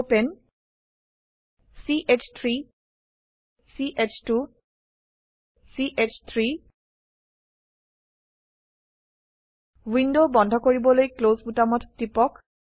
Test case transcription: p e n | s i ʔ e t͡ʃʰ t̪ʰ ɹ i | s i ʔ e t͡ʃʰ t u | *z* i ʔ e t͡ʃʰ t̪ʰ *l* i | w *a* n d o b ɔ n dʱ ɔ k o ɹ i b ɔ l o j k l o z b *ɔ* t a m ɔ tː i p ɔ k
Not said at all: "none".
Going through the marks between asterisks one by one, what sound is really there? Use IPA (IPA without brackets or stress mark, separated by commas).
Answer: s, ɹ, i, u